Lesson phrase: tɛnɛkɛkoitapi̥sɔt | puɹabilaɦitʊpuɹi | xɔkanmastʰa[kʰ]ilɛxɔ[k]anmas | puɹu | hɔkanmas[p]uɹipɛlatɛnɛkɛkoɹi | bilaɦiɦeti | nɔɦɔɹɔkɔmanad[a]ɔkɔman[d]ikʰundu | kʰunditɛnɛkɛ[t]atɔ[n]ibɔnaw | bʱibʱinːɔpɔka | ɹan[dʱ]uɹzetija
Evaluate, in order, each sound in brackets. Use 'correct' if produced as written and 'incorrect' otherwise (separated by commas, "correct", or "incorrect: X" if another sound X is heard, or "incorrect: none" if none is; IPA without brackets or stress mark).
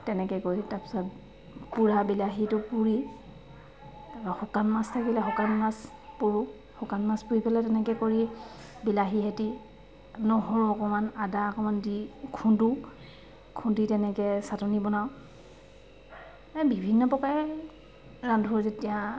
incorrect: k, correct, correct, correct, correct, incorrect: s, correct, correct